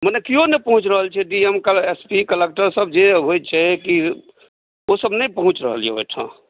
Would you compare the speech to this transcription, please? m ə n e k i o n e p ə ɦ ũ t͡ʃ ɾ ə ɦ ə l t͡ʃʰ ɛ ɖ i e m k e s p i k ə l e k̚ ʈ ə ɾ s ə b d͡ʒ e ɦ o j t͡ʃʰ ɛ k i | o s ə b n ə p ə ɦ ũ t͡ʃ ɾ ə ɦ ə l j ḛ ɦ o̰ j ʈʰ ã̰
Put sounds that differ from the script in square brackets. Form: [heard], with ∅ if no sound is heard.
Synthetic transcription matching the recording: m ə n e k i o n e p ə ɦ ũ t͡ʃ ɾ ə ɦ ə l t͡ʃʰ ɛ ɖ i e m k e s p i k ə l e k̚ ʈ ə ɾ s ə b d͡ʒ e ɦ o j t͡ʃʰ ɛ k i | o s ə b n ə p ə ɦ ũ t͡ʃ ɾ ə ɦ ə l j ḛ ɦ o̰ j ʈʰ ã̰